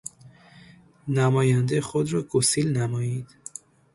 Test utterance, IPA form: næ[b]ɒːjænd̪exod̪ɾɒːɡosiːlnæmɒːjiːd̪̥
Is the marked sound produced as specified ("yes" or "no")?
no